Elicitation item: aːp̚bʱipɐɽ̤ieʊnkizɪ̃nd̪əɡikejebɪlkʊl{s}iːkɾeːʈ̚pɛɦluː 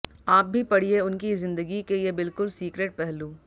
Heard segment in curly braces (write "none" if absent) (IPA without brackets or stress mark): s